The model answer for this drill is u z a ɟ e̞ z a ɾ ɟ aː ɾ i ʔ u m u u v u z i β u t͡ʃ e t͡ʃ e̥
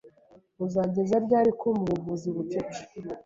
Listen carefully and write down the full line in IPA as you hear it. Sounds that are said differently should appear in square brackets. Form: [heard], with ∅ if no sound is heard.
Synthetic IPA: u z a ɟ e̞ z a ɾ ɟ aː ɾ i [k] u m u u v u z i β u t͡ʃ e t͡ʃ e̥